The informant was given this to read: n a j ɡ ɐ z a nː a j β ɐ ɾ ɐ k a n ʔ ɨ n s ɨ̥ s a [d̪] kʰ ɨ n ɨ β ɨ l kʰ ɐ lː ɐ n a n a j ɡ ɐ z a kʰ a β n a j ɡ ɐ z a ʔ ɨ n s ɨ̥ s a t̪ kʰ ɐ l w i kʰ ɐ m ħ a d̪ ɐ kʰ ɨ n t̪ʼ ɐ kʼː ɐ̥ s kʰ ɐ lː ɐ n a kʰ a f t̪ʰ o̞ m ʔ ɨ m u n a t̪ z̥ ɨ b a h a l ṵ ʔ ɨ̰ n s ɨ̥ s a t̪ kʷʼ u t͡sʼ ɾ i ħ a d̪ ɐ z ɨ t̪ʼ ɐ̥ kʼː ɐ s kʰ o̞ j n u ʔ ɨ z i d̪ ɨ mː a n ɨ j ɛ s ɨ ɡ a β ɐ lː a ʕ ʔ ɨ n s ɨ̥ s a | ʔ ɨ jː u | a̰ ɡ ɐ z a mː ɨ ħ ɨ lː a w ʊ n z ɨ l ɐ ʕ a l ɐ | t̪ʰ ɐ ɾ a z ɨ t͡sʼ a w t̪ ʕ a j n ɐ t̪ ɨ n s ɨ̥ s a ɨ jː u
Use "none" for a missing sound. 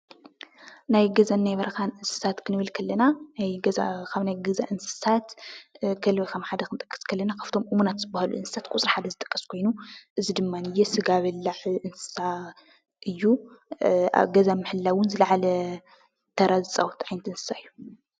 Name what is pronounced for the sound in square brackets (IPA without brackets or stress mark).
t̪